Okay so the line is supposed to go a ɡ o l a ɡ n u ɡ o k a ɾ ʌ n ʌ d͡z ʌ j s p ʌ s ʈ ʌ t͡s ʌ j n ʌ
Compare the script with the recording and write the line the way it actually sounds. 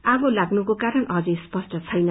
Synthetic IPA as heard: a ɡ o l a ɡ n u k o k a ɾ ʌ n ʌ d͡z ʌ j s p ʌ s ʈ ʌ t͡sʰ ʌ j n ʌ

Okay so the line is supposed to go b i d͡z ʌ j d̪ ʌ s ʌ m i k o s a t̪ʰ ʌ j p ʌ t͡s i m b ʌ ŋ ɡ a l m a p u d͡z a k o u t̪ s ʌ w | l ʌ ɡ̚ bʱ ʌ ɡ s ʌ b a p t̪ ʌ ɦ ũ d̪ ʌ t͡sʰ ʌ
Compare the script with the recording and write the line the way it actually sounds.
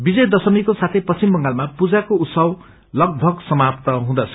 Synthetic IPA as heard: b i d͡z ʌ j d̪ ʌ s ʌ m i k o s a t̪ʰ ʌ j p ʌ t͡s i m b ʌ ŋ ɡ a l m a p u d͡z a k o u t̪ s ʌ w | l ʌ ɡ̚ bʱ ʌ ɡ s ʌ m a p t̪ ʌ ɦ ũ d̪ ʌ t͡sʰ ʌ

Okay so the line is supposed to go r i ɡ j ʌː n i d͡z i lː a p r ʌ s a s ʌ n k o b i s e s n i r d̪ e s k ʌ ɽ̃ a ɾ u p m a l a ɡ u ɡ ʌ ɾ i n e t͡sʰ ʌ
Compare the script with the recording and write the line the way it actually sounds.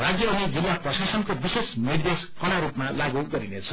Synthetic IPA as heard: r a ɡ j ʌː n i d͡z i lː a p r ʌ s a s ʌ n k o b i s e s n i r d̪ e s k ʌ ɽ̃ a ɾ u p m a l a ɡ u ɡ ʌ ɾ i n e t͡sʰ ʌ

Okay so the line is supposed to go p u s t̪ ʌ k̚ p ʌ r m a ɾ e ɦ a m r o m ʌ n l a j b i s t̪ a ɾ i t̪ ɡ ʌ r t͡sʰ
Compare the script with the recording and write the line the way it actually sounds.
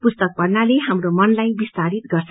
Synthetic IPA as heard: p u s t̪ ʌ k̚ p ʌ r n a l e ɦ a m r o m ʌ n l a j b i s t̪ a ɾ i t̪ ɡ ʌ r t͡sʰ

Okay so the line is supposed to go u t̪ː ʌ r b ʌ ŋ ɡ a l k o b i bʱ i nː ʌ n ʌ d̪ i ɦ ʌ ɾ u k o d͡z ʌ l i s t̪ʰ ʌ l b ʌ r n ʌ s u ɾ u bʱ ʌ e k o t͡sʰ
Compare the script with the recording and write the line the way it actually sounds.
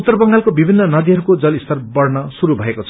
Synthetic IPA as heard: u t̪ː ʌ r b ʌ ŋ ɡ a l k o b i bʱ i nː ʌ n ʌ d̪ i ɦ ʌ ɾ u k o d͡z ʌ l i s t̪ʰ ʌ r b ʌ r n ʌ s u ɾ u bʱ ʌ e k o t͡sʰ

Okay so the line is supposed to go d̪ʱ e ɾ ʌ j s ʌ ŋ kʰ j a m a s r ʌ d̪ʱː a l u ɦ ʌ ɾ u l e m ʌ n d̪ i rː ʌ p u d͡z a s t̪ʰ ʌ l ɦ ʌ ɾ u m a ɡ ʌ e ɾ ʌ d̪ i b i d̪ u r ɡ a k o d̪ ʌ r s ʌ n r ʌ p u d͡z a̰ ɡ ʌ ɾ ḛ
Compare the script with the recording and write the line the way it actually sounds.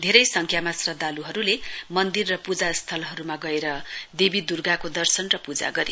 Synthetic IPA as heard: d̪ʱ e ɾ ʌ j s ʌ ŋ kʰ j a m a s r ʌ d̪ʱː a l u ɦ ʌ ɾ u l e m ʌ n d̪ i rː ʌ p u d͡z a s t̪ʰ ʌ l ɦ ʌ ɾ u m a ɡ ʌ e ɾ ʌ d̪ e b i d̪ u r ɡ a k o d̪ ʌ r s ʌ n r ʌ p u d͡z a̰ ɡ ʌ ɾ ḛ

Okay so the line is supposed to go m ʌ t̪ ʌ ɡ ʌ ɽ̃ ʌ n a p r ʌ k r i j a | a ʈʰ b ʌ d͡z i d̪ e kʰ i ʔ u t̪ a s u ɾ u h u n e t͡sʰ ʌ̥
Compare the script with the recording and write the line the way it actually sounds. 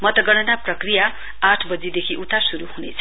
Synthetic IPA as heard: m ʌ t̪ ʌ ɡ ʌ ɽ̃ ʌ n a p r ʌ k r i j a | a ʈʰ b ʌ d͡z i d̪ e kʰ i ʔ u t̪ a s u ɾ u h u n e t͡sʰ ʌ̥

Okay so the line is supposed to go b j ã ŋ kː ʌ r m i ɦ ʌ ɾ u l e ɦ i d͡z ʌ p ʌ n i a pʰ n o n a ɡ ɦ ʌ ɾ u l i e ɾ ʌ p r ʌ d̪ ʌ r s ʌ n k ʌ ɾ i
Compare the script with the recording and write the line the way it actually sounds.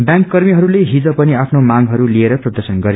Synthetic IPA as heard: b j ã ŋ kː ʌ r m i ɦ ʌ ɾ u l e ɦ i d͡z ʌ p ʌ n i a pʰ n o m a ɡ ɦ ʌ ɾ u l i e ɾ ʌ p r ʌ d̪ ʌ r s ʌ n ɡ ʌ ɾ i

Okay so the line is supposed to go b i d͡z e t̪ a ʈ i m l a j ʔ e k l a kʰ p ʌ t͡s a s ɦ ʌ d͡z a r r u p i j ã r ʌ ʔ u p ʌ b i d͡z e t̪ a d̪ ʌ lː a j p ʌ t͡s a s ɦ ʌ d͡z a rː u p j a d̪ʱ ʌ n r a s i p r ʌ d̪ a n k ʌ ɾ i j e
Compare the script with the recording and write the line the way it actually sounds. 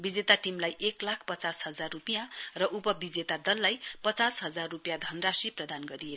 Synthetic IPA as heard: b i d͡z e t̪ a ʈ i m l a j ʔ e k l a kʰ p ʌ t͡s a s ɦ ʌ d͡z a r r u p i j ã r ʌ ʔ u p ʌ b i d͡z e t̪ a d̪ ʌ lː a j p ʌ t͡s a s ɦ ʌ d͡z a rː u p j a d̪ʱ ʌ n r a s i p r ʌ d̪ a n ɡ ʌ ɾ i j e

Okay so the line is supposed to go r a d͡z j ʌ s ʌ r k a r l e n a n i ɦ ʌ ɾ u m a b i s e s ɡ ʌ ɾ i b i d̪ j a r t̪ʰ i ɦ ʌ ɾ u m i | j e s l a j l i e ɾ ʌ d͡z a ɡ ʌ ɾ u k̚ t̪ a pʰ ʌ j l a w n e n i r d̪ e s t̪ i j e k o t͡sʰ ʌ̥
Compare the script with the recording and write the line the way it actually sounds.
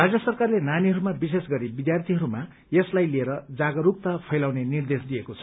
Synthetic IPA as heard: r a d͡z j ʌ s ʌ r k a r l e n a n i ɦ ʌ ɾ u m a b i s e s ɡ ʌ ɾ i b i d̪ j a r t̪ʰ i ɦ ʌ ɾ u m a | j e s l a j l i e ɾ ʌ d͡z a ɡ ʌ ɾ u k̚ t̪ a pʰ ʌ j l a w n e n i r d̪ e s d̪ i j e k o t͡sʰ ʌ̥

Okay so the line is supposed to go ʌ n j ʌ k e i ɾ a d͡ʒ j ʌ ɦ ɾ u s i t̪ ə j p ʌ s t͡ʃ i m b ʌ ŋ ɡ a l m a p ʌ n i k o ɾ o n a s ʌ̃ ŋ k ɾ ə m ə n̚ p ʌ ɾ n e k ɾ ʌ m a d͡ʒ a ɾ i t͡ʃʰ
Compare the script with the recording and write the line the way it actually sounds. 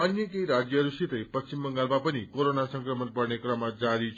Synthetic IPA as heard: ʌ n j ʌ k e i ɾ a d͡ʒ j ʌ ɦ ɾ u s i t̪ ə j p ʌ s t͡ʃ i m b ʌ ŋ ɡ a l m a p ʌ n i k o ɾ o n a s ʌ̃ ŋ k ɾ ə m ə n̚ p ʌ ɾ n e k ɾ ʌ m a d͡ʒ a ɾ i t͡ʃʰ

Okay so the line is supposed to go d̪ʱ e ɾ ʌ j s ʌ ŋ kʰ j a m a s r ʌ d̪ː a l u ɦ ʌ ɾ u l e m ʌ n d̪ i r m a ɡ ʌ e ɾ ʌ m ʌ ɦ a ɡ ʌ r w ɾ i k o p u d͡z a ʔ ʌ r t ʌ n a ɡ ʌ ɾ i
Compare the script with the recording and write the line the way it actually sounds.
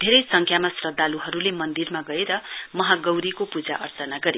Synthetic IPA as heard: d̪ʱ e ɾ ʌ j s ʌ ŋ kʰ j a m a s r ʌ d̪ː a l u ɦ ʌ ɾ u l e m ʌ n d̪ i r m a ɡ ʌ e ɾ ʌ m ʌ ɦ a ɡ ʌ w ɾ i k o p u d͡z a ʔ ʌ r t ʌ n a ɡ ʌ ɾ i

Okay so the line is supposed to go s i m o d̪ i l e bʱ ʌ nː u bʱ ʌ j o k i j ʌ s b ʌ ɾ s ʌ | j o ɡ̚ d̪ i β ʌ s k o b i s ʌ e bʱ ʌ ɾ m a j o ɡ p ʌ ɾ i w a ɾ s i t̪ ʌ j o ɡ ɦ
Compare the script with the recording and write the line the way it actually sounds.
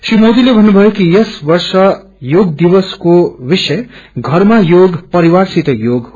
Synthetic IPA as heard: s i m o d̪ i l e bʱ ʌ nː u bʱ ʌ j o k i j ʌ s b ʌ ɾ s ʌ | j o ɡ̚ d̪ i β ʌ s k o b i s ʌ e ɡʱ ʌ ɾ m a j o ɡ p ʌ ɾ i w a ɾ s i t̪ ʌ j o ɡ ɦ

